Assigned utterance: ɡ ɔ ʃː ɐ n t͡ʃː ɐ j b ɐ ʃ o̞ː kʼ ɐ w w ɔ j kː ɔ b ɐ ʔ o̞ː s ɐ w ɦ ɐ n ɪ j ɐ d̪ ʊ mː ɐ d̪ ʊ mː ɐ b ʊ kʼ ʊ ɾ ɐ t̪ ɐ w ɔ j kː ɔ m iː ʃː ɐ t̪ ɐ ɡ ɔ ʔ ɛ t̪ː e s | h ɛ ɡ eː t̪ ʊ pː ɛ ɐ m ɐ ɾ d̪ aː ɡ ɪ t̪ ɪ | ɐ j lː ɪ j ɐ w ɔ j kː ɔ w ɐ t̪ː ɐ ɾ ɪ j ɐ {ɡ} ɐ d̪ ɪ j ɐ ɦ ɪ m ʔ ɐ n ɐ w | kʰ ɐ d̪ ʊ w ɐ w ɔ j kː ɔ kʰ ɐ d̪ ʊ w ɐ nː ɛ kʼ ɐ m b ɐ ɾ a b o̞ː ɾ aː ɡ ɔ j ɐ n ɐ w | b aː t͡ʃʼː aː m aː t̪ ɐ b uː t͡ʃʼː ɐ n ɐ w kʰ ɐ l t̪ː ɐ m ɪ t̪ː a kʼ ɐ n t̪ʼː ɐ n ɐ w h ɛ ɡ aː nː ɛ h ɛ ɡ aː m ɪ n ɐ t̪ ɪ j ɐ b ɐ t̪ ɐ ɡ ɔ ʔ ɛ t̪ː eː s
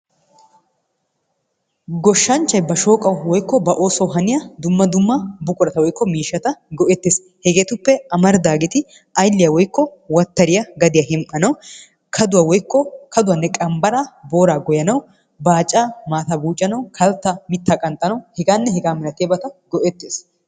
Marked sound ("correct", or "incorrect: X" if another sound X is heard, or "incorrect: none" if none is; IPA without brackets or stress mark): correct